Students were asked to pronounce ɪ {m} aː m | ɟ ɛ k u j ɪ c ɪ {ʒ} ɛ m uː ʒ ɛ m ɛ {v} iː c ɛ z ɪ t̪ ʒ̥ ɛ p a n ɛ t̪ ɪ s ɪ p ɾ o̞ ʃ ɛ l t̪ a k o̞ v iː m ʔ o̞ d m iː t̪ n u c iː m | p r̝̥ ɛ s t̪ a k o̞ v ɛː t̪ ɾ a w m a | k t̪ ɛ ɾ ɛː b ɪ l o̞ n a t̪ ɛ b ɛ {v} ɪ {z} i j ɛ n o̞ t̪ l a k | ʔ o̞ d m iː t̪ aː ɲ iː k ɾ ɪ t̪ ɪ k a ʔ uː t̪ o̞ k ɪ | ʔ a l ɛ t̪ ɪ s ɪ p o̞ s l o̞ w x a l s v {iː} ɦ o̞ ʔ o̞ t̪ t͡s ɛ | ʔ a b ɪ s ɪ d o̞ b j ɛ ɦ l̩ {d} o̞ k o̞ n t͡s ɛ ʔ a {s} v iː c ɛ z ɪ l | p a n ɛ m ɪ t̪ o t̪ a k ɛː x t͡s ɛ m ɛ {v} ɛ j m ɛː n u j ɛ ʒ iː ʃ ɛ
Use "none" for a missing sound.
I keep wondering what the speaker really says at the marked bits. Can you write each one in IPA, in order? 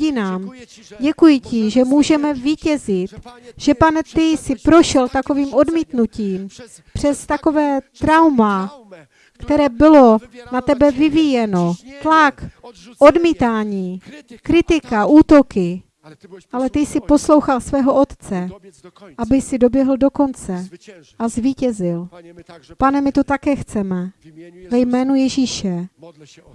n, ʒ, v, v, v, ɛː, d, z, v

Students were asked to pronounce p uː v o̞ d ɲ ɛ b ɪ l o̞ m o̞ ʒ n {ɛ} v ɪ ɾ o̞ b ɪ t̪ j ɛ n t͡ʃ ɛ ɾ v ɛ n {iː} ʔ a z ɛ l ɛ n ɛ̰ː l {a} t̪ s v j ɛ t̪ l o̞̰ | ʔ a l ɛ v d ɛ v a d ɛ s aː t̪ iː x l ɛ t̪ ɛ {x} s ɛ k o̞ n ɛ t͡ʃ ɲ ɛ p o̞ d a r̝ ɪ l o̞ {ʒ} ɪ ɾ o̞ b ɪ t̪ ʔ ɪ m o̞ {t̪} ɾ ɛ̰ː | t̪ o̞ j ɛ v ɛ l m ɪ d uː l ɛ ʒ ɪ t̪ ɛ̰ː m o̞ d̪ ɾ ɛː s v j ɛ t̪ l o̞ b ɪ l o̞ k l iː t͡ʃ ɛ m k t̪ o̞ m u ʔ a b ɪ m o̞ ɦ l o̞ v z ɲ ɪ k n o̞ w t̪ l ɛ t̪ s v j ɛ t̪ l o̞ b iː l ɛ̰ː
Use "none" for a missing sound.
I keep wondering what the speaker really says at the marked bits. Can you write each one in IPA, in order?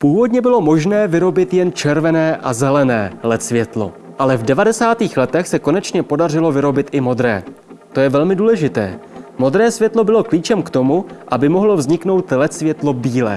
ɛː, ɛː, ɛ, x, v, d̪

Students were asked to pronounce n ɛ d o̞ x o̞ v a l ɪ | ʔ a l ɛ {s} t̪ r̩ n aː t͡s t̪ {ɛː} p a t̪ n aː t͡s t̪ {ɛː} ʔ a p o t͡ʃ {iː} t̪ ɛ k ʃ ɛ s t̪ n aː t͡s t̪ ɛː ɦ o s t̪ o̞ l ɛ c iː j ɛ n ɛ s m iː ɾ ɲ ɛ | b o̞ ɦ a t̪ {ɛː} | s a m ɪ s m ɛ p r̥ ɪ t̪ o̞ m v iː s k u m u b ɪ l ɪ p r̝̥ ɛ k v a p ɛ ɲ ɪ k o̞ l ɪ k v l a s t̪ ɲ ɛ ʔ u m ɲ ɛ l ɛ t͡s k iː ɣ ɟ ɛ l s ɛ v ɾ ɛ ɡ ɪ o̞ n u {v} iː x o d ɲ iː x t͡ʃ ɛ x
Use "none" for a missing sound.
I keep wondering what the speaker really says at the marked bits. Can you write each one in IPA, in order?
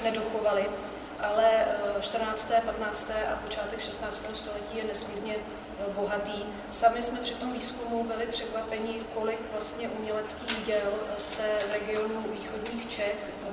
ʃ, ɛː, ɛː, aː, iː, v

